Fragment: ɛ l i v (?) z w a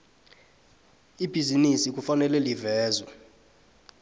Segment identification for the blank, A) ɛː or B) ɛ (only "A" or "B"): A